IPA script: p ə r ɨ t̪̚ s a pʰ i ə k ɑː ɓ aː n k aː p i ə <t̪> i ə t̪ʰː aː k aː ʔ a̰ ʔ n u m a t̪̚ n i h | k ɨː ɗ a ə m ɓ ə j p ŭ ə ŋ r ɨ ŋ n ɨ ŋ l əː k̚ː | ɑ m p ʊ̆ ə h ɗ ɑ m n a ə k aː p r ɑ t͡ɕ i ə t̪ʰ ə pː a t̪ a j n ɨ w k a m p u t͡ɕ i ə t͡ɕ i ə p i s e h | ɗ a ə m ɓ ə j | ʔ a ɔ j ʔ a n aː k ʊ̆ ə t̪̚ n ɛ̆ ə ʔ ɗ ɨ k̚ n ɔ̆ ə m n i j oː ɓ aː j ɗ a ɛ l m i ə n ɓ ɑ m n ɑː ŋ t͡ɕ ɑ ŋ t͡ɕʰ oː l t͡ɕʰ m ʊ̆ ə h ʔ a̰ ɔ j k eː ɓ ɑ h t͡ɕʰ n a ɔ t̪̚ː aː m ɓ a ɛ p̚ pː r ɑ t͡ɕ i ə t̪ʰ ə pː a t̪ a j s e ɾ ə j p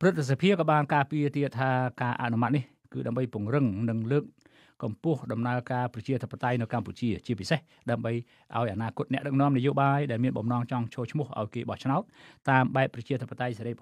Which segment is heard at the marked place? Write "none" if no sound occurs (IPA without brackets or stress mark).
t̪